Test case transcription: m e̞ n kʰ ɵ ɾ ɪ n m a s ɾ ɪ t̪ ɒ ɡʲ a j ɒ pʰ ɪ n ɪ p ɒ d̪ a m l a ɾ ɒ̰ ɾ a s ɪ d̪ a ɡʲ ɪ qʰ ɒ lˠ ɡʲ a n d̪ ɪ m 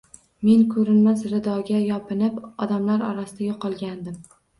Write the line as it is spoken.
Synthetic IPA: m e̞ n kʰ ɵ ɾ ɪ n m a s ɾ ɪ d̪ ɒ ɡʲ a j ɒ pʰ ɪ n ɪ p ɒ d̪ a m l a ɾ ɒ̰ ɾ a s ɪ d̪ a ɡʲ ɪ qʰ ɒ lˠ ɡʲ a n d̪ ɪ m

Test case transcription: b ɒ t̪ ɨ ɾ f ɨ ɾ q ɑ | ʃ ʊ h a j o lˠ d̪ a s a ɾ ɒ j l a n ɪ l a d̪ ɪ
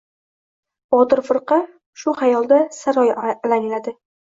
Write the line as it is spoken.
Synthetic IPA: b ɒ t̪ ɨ ɾ f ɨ ɾ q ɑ | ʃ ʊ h a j ɒ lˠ d̪ a s a ɾ ɒ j l a n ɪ l a d̪ ɪ

